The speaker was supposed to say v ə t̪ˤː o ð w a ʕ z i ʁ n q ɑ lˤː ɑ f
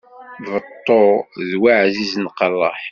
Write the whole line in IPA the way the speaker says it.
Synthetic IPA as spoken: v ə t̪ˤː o ð w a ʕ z i z n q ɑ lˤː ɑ ħ